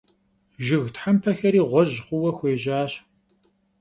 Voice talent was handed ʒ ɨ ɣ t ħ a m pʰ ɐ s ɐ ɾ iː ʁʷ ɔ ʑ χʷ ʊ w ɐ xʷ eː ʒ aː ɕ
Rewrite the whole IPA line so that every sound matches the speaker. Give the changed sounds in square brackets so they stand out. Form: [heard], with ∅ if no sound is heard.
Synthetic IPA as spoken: ʒ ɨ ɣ t ħ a m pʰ ɐ [x] ɐ ɾ iː ʁʷ ɔ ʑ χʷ ʊ w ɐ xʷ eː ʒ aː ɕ